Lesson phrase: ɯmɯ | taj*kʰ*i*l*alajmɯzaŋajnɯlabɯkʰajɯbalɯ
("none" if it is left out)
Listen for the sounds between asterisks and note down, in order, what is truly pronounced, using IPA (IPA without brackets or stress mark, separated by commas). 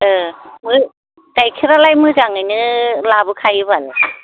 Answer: kʰ, ɾ